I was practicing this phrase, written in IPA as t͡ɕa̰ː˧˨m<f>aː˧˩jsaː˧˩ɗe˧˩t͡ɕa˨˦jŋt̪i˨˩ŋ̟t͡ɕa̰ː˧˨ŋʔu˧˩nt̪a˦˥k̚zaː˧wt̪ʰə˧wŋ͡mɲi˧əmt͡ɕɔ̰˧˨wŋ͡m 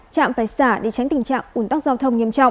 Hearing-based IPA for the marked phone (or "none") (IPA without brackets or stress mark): f